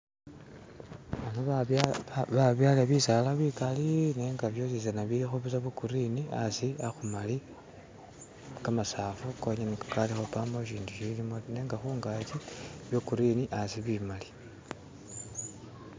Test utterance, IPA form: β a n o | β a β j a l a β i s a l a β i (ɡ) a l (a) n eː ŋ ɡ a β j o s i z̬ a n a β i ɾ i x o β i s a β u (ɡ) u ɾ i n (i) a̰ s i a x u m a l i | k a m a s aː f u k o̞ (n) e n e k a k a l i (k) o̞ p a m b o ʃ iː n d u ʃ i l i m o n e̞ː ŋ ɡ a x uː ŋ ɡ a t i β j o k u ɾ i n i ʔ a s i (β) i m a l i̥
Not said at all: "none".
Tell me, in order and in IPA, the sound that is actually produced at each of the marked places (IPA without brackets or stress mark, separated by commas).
k, i, k, i, ɲ, x, β